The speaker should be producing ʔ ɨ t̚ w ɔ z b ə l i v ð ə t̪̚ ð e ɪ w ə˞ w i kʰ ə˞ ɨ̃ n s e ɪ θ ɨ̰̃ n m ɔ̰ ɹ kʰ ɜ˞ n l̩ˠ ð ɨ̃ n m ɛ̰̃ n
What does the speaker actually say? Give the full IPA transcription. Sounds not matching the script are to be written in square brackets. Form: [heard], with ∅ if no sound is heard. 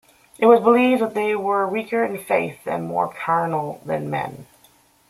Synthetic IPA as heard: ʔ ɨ t̚ w [ʌ] z b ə l i v ð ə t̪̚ ð e ɪ w ə˞ w i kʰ ə˞ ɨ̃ n [f] e ɪ θ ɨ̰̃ n m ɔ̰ ɹ kʰ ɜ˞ n l̩ˠ ð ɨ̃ n m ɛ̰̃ n

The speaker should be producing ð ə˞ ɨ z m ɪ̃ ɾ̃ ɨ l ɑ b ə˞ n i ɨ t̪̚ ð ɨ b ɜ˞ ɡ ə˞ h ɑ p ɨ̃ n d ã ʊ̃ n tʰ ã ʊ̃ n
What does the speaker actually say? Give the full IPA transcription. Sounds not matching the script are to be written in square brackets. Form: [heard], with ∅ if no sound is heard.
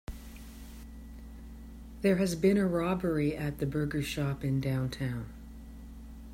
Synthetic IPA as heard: ð ə˞ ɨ z [b] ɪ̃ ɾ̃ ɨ [ɹ] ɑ b ə˞ [∅] i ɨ t̪̚ ð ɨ b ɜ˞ ɡ ə˞ [ʃ] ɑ p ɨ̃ n d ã ʊ̃ n tʰ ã ʊ̃ n

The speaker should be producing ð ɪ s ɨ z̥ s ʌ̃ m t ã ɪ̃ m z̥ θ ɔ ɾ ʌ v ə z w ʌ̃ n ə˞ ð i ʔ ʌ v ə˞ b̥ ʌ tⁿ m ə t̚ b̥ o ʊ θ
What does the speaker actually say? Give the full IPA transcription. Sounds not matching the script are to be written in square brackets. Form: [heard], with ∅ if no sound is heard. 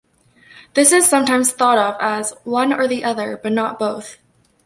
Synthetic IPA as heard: ð ɪ s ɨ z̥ s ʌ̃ m t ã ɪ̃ m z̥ θ ɔ ɾ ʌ v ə z w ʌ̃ n ə˞ ð i ʔ ʌ [ð] ə˞ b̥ ʌ tⁿ [n] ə t̚ b̥ o ʊ θ

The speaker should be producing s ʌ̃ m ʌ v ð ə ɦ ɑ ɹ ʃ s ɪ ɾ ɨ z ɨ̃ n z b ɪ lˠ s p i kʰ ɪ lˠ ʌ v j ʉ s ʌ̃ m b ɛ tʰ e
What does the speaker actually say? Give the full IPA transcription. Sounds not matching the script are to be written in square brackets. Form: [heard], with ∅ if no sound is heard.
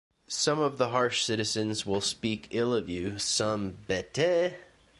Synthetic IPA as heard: s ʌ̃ m ʌ v ð ə ɦ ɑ ɹ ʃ s ɪ ɾ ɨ z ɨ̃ n z [w] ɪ lˠ s p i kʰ ɪ lˠ ʌ v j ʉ s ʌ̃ m b ɛ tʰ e

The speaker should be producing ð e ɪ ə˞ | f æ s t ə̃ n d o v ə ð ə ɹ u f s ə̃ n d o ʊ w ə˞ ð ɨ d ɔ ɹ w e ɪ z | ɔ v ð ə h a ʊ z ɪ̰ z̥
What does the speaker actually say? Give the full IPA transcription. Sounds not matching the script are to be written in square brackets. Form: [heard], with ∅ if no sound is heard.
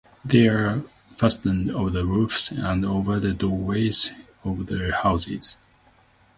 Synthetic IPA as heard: ð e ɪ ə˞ | f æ s t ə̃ n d o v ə ð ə ɹ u f s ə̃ n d o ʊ [v] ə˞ ð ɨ d ɔ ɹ w e ɪ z | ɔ v ð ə h a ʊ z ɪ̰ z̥

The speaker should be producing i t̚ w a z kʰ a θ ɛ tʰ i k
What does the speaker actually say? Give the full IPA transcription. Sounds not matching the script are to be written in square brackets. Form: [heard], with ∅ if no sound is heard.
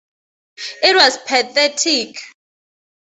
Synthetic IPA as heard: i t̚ w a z [pʰ] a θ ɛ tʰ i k

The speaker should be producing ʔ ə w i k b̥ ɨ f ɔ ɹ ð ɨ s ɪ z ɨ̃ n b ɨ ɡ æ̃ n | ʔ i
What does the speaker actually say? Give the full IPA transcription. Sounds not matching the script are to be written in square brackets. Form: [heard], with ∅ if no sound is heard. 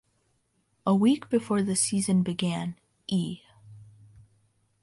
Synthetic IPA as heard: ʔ ə w i k b̥ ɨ f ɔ ɹ ð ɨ s [i] z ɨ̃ n b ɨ ɡ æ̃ n | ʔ i

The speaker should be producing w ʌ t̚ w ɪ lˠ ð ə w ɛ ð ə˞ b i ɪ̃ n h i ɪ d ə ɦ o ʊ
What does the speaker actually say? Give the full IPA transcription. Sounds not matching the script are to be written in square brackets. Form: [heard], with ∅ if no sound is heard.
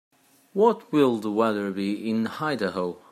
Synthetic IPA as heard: w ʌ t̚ w ɪ lˠ ð ə w ɛ ð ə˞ b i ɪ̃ n h [a] ɪ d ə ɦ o ʊ

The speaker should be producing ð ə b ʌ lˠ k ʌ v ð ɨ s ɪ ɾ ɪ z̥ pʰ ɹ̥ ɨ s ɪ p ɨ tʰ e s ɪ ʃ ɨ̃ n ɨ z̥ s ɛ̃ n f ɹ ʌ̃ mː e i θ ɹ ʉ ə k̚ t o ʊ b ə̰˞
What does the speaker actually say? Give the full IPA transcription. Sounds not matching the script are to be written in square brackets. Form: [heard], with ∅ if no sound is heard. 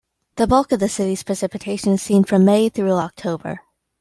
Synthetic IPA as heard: ð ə b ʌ lˠ k ʌ v ð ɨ s ɪ ɾ [i] z̥ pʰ ɹ̥ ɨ s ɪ p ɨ tʰ e [∅] ɪ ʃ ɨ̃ n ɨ z̥ s [ĩ] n f ɹ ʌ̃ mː e [ɪ] θ ɹ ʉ [ɑ] k̚ [tʰ] o ʊ b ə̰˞

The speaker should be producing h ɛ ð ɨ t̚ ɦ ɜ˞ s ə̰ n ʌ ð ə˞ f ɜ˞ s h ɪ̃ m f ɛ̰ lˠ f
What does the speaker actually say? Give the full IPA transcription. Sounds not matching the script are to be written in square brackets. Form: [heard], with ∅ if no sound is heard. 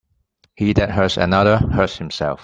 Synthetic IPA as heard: h [i] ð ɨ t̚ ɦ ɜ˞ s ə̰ n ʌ ð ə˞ [h] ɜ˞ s h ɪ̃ m [s] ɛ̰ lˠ f

